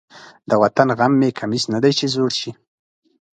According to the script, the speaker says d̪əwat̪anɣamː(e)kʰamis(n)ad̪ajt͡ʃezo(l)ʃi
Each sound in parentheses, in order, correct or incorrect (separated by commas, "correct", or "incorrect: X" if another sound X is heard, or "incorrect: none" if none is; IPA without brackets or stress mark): correct, correct, incorrect: ɽ